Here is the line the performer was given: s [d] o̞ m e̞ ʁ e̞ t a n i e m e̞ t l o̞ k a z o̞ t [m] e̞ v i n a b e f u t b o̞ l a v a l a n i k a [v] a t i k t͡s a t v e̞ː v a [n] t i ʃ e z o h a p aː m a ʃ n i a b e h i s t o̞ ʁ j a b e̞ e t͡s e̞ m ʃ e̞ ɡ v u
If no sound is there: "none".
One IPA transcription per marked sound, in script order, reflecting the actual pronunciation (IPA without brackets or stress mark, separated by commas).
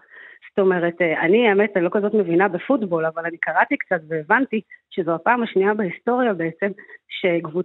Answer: t, m, ʁ, n